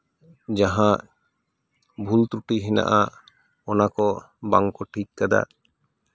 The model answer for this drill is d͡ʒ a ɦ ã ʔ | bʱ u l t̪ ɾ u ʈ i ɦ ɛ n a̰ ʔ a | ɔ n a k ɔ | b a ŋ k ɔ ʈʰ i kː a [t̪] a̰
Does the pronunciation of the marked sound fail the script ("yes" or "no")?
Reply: yes